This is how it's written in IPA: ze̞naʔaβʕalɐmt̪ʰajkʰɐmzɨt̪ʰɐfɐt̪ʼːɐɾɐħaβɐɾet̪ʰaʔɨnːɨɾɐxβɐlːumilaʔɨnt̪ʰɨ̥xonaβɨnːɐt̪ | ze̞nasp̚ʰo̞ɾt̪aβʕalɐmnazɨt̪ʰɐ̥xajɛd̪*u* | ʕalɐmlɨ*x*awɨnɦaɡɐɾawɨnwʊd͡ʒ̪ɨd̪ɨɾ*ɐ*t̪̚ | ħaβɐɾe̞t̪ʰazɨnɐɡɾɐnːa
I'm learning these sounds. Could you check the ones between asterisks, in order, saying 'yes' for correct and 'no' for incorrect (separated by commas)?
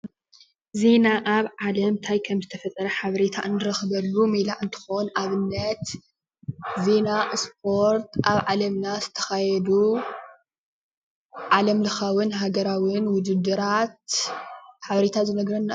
yes, yes, no